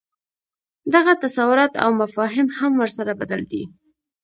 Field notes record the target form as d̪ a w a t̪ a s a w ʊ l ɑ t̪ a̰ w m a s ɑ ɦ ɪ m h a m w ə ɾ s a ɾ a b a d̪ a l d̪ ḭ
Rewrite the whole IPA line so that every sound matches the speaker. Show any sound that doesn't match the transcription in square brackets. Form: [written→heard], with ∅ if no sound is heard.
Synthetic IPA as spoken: d̪ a [w→ɣ] a t̪ a s a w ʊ [l→ɾ] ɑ t̪ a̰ w m a [s→f] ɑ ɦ ɪ m h a m w ə ɾ s a ɾ a b a d̪ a l d̪ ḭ